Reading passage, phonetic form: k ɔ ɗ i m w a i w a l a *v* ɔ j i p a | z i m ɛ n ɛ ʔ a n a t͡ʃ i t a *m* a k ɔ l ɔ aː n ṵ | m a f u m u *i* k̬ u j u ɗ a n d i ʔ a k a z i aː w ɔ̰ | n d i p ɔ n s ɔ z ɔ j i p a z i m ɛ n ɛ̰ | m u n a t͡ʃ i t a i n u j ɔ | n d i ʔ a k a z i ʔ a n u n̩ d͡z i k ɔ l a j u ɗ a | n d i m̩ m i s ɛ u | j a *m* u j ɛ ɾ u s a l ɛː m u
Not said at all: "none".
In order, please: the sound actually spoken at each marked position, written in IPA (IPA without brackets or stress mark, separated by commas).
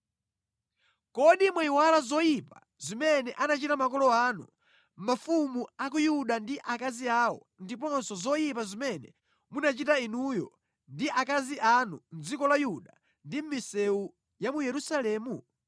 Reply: z, m, a, m